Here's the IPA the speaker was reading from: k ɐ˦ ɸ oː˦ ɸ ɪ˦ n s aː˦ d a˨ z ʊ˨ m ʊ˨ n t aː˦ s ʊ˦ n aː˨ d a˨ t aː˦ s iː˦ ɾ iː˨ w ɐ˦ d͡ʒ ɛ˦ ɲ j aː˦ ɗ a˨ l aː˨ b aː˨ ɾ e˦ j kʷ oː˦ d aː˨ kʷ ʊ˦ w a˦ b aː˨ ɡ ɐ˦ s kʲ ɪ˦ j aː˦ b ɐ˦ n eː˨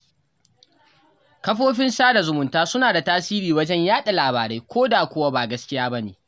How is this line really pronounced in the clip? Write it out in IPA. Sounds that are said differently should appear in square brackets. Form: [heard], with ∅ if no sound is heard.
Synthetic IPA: k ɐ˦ ɸ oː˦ ɸ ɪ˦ n s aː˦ d a˨ z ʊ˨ m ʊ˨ n t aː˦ s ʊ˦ n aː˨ d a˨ t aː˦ s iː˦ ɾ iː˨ w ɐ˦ d͡ʒ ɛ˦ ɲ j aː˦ ɗ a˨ l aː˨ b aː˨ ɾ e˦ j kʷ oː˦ d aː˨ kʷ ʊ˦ w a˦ b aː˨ ɡ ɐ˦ s kʲ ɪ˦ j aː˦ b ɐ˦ n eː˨

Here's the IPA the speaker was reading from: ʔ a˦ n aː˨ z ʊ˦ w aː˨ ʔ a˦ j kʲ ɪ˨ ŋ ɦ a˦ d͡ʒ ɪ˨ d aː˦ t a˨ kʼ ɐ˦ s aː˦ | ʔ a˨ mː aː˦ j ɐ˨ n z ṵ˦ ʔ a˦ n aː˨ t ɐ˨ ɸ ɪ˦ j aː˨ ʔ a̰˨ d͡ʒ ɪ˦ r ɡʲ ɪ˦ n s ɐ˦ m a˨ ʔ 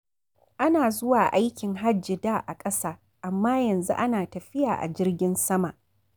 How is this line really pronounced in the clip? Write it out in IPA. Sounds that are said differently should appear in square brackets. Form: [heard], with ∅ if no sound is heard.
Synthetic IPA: ʔ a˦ n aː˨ z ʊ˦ w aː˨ ʔ a˦ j kʲ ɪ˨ ŋ ɦ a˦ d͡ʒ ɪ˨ d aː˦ [ʔ] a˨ kʼ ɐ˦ s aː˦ | ʔ a˨ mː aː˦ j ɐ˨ n z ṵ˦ ʔ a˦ n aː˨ t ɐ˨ ɸ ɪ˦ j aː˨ ʔ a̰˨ d͡ʒ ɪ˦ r ɡʲ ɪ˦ n s ɐ˦ m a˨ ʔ

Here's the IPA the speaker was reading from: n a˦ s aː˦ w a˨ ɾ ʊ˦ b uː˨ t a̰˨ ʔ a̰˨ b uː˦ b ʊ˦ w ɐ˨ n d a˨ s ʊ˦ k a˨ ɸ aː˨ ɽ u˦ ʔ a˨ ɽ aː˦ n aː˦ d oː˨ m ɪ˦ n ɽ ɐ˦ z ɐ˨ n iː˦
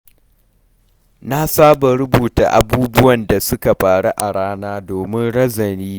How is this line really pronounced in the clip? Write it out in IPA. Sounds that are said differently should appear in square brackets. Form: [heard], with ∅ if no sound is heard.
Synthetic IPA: n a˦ s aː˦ [b] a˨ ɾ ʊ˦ b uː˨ t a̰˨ ʔ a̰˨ b uː˦ b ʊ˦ w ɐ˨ n d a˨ s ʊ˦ k a˨ ɸ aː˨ ɽ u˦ ʔ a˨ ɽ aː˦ n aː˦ d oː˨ m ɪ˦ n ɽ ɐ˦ z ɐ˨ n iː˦

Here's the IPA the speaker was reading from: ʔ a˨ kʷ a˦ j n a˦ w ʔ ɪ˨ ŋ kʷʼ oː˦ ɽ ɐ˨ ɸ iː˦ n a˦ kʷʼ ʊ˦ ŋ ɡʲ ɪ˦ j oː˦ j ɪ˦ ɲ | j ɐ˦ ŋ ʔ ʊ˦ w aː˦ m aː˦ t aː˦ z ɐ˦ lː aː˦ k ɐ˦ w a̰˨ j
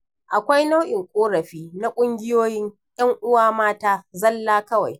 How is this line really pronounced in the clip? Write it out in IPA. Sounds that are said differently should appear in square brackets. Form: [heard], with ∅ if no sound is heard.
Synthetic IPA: ʔ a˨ kʷ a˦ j n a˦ w ʔ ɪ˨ ŋ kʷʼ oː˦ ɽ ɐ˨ ɸ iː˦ n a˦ kʷʼ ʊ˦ ŋ ɡʲ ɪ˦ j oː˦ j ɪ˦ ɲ | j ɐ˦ ŋ ʔ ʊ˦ w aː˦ m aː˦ t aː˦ z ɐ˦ lː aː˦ k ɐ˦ w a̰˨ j

